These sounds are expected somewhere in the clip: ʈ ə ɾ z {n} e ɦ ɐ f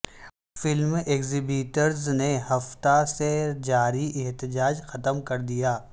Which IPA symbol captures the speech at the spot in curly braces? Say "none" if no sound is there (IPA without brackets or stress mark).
n